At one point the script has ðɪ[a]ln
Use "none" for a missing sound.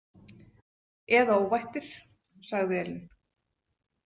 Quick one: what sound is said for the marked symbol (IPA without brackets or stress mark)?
ɛ